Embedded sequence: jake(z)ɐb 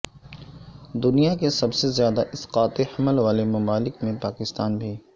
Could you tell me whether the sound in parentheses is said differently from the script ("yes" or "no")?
yes